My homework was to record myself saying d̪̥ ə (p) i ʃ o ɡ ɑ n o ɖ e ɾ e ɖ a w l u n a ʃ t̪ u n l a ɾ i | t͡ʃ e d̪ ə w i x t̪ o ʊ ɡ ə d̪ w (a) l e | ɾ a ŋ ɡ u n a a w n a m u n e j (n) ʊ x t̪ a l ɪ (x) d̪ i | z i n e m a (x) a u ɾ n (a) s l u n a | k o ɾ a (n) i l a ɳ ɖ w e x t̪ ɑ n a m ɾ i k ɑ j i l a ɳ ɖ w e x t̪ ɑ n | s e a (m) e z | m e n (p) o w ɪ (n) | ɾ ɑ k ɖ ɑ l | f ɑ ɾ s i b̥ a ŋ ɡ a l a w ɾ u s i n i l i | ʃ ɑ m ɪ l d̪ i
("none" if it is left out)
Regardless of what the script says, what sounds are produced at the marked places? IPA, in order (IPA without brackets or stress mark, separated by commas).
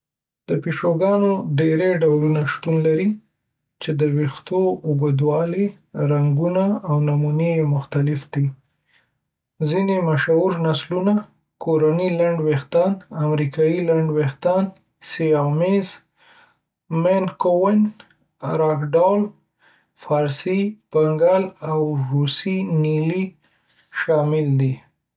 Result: p, ɑ, m, f, ʃ, a, n, m, k, n